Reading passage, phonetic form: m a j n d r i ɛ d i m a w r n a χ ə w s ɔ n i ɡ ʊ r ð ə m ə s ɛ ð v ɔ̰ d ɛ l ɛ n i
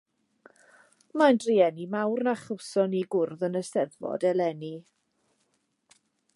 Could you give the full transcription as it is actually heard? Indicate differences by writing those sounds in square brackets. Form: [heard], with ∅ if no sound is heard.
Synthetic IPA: m a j n d r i ɛ [n] i m a w r n a χ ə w s ɔ n i ɡ ʊ r ð ə [n] ə s ɛ ð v ɔ̰ d ɛ l ɛ n i